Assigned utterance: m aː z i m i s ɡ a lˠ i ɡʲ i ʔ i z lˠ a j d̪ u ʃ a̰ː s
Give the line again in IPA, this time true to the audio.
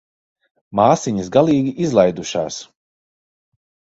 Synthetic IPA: m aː s i ɲ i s ɡ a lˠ iː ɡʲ i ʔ i z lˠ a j d̪ u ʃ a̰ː s

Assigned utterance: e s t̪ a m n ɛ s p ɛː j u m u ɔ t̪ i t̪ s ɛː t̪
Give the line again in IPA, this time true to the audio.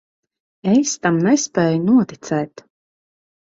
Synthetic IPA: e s t̪ a m n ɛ s p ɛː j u n u ɔ t̪ i t̪ s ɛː t̪

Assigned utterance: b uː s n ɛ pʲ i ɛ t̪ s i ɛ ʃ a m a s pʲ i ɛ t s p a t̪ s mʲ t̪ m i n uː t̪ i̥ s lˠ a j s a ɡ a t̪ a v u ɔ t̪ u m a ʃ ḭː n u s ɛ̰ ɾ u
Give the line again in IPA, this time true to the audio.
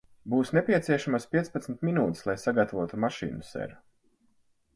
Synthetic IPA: b uː s n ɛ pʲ i ɛ t̪ s i ɛ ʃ a m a s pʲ i ɛ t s p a t̪ s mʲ t̪ m i n uː t̪ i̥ s lˠ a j s a ɡ a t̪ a v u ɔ t̪ u m a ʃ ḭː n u s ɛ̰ ɾ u

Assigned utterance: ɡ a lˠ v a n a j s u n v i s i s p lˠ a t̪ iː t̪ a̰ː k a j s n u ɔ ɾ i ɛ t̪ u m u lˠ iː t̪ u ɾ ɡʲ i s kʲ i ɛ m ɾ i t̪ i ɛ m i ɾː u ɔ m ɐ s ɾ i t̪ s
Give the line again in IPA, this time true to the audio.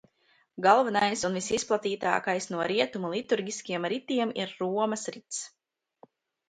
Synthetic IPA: ɡ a lˠ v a n a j s u n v i s i s p lˠ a t̪ iː t̪ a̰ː k a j s n u ɔ ɾ i ɛ t̪ u m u lˠ i t̪ u ɾ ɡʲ i s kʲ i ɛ m ɾ i t̪ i ɛ m i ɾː u ɔ m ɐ s ɾ i t̪ s

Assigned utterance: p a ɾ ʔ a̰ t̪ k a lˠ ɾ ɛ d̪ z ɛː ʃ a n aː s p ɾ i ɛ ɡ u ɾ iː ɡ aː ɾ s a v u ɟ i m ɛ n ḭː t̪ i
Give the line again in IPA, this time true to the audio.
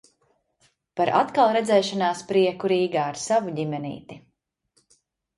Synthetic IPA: p a ɾ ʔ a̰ t̪ k a lˠ ɾ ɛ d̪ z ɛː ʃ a n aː s p ɾ i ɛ k u ɾ iː ɡ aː ɾ s a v u ɟ i m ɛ n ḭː t̪ i

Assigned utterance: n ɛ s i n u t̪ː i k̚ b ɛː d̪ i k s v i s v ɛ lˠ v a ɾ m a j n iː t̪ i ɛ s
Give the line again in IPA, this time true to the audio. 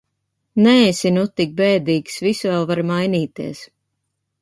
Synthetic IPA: n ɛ s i n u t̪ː i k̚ b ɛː d̪ iː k s v i s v ɛ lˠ v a ɾ m a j n iː t̪ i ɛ s

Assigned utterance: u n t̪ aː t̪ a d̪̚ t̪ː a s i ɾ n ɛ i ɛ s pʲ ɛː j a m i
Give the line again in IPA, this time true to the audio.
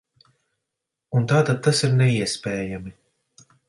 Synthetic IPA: u n t̪ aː t̪ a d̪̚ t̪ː a s i ɾ n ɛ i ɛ s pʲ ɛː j a m i

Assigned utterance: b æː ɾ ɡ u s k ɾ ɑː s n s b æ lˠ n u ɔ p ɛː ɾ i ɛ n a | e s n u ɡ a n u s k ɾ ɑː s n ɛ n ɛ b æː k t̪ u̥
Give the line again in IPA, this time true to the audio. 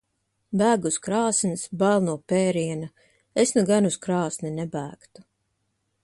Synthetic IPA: b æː ɡ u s k ɾ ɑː s n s b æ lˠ n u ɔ p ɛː ɾ i ɛ n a | e s n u ɡ a n u s k ɾ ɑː s n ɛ n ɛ b æː k t̪ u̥

